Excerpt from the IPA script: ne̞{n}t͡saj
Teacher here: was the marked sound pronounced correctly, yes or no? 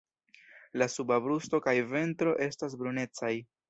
no